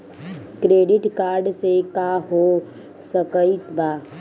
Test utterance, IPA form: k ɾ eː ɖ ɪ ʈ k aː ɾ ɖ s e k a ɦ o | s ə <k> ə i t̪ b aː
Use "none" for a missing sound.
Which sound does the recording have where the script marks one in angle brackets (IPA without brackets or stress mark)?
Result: k